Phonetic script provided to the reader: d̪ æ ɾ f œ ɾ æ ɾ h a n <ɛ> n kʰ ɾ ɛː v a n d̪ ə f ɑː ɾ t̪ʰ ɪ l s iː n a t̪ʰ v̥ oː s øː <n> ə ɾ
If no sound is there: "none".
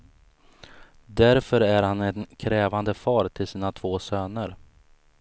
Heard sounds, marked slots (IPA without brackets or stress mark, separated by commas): ɛ, n